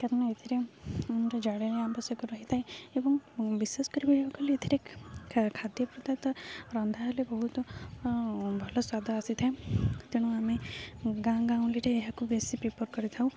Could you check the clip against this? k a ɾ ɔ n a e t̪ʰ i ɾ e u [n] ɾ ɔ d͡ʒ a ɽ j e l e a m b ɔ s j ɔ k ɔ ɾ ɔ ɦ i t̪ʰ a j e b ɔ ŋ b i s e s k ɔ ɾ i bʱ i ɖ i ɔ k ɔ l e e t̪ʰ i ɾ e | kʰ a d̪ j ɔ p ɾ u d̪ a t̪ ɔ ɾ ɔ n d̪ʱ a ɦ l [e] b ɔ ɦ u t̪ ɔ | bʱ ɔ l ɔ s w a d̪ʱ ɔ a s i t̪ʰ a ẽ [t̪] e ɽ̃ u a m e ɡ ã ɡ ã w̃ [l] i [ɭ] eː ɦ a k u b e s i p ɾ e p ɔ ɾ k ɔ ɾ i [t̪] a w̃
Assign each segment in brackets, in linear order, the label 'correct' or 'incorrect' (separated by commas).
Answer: correct, correct, correct, correct, incorrect, incorrect